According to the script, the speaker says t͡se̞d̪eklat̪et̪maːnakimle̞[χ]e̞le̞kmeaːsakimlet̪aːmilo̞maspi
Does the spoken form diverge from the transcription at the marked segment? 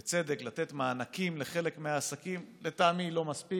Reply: no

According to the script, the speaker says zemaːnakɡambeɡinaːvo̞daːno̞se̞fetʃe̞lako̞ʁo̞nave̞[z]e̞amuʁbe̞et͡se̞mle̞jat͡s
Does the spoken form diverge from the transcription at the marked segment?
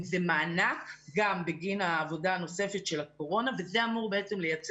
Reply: no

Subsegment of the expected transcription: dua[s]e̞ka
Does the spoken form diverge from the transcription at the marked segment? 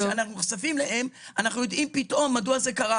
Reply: yes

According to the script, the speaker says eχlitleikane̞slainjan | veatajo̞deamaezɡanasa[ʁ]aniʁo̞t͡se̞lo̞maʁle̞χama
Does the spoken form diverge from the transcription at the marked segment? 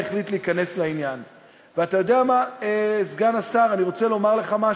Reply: no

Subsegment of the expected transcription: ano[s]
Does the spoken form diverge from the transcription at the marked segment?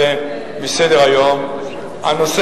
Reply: no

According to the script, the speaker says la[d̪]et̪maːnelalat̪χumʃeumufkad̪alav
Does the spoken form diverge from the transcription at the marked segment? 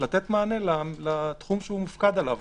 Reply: yes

